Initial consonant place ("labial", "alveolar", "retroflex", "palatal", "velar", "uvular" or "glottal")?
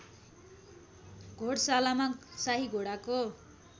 velar